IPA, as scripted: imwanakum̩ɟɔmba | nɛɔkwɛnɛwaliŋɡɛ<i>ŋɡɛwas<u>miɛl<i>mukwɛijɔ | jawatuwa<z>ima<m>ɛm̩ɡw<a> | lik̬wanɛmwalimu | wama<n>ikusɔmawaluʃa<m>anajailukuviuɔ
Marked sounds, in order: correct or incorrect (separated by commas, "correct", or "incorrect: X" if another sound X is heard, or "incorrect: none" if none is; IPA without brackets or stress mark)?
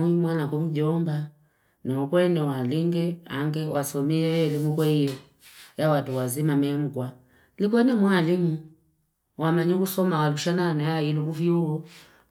incorrect: a, incorrect: ɔ, correct, correct, correct, correct, incorrect: ɲ, incorrect: n